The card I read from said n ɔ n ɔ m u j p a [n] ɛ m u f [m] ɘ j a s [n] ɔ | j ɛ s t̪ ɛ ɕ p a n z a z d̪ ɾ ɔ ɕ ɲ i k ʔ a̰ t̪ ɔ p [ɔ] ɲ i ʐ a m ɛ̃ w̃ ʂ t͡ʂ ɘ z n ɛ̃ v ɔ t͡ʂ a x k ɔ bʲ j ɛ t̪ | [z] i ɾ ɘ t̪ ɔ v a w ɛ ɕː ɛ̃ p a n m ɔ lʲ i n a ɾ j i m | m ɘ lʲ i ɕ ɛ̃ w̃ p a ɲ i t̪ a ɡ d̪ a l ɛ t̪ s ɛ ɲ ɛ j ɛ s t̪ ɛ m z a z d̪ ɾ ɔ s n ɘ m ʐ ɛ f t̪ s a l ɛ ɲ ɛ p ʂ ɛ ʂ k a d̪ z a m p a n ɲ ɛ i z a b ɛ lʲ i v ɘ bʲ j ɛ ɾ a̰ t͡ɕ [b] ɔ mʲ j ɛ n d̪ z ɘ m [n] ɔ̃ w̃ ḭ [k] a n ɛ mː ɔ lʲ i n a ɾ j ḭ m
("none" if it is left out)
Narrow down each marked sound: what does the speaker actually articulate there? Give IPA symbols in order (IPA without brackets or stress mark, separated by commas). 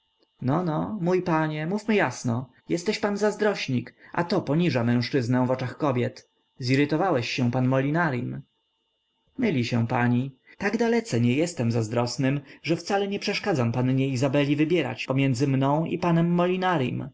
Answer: ɲ, m, n, ɔ, z, p, n, p